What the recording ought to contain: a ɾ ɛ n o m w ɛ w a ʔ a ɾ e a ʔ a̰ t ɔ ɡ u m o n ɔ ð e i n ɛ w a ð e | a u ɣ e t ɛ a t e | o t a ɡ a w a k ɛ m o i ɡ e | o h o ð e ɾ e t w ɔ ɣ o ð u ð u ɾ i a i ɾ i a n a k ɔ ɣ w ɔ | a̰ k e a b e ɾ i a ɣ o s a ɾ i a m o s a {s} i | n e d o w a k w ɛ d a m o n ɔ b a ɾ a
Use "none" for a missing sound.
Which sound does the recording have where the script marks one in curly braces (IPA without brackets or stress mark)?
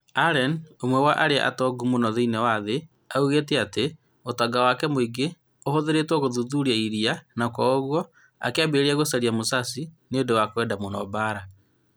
s